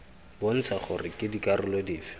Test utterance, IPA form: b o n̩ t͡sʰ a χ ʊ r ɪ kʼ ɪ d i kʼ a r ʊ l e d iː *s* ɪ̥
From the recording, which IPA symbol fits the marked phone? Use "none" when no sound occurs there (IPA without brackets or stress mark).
f